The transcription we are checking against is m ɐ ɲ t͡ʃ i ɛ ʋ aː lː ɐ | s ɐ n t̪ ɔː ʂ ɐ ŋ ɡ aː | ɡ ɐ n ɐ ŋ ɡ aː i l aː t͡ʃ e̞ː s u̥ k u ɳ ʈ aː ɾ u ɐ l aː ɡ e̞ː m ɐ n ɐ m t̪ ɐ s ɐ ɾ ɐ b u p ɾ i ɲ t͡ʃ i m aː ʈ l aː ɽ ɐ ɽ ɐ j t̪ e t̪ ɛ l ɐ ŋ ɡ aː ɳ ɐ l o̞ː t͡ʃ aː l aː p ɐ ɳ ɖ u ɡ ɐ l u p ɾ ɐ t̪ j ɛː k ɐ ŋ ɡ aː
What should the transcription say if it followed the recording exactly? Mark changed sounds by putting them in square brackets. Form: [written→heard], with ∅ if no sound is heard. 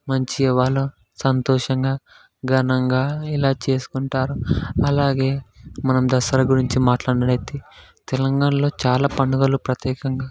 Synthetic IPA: m ɐ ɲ t͡ʃ i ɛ ʋ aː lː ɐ | s ɐ n t̪ ɔː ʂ ɐ ŋ ɡ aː | ɡ ɐ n ɐ ŋ ɡ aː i l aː t͡ʃ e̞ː s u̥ k u ɳ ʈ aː ɾ u ɐ l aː ɡ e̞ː m ɐ n ɐ m [t̪→d̪] ɐ s ɐ ɾ ɐ [b→ɡ] u [p→∅] ɾ i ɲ t͡ʃ i m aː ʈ l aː ɽ ɐ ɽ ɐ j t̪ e t̪ ɛ l ɐ ŋ ɡ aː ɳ ɐ l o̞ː t͡ʃ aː l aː p ɐ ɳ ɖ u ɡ ɐ l u p ɾ ɐ t̪ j ɛː k ɐ ŋ ɡ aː